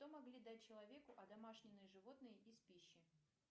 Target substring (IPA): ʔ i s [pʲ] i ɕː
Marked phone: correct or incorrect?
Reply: correct